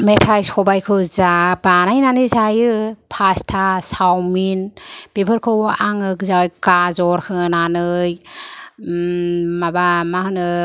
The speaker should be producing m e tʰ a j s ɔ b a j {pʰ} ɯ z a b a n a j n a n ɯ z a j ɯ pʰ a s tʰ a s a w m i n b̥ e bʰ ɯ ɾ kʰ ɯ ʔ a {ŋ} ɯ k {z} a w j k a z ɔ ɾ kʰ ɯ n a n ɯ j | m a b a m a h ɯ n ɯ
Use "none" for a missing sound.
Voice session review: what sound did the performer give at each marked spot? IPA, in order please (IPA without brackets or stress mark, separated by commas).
kʰ, ŋ, z